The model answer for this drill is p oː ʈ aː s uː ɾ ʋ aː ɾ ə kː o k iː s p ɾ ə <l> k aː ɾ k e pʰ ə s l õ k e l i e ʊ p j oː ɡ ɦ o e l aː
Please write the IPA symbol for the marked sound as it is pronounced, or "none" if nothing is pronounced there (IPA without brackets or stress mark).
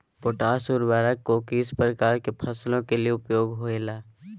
none